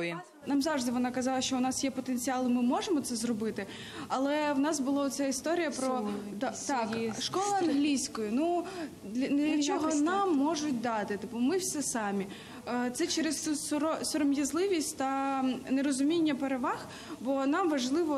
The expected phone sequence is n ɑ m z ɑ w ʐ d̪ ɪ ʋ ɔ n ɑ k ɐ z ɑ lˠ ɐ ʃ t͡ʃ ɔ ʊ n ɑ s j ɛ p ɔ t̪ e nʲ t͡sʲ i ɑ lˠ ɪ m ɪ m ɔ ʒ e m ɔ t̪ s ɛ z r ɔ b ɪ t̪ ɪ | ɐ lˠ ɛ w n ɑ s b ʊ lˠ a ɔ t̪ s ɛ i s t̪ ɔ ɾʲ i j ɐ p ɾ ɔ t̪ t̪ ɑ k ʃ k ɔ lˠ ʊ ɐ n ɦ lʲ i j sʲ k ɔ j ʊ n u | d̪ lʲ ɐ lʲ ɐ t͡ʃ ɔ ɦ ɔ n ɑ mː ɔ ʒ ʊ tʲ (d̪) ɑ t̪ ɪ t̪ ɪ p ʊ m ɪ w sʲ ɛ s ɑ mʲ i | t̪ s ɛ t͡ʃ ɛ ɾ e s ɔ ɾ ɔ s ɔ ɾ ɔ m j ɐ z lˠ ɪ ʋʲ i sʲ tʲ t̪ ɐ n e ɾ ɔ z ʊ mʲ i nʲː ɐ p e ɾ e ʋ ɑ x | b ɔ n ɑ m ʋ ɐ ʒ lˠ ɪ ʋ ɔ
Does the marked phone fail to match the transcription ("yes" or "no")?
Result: no